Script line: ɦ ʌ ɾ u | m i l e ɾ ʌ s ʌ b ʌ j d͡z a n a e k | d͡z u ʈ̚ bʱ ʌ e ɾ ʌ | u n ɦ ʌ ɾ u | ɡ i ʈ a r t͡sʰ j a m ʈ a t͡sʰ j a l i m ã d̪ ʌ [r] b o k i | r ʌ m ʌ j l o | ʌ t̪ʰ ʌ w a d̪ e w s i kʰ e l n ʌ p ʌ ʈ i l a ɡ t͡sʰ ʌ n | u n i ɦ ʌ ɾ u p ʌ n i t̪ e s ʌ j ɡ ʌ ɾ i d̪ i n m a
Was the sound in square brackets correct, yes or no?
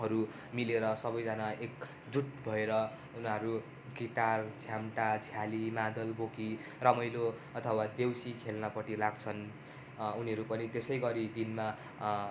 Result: no